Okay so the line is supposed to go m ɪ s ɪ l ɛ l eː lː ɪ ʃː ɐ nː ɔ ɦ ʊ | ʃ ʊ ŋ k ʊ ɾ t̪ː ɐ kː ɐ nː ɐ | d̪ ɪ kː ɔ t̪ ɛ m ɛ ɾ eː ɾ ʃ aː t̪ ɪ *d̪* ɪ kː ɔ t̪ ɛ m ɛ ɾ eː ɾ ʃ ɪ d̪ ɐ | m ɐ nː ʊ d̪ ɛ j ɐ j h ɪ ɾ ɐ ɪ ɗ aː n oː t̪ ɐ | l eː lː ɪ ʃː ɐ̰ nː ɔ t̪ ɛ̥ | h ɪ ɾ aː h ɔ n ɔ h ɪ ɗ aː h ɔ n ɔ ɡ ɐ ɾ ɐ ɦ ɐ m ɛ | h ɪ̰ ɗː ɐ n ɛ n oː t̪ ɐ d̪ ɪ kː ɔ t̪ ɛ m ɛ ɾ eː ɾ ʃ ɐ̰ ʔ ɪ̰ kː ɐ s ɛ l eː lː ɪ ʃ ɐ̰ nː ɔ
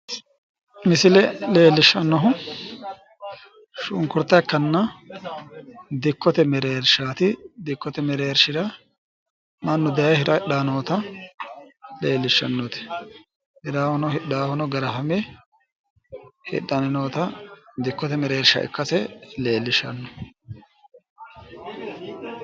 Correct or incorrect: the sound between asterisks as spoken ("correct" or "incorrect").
correct